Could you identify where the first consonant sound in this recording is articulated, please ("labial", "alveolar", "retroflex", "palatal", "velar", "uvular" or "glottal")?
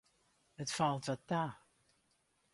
alveolar